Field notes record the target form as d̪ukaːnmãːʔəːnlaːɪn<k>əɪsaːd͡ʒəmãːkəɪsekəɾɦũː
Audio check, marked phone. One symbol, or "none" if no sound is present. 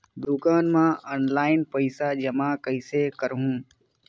p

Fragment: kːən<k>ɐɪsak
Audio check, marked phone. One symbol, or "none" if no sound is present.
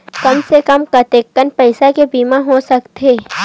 p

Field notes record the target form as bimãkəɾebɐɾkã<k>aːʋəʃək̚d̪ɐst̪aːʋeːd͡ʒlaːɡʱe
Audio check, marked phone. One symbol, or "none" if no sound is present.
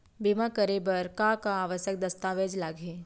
k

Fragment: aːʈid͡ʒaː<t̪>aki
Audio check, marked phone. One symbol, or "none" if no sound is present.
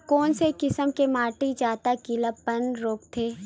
t̪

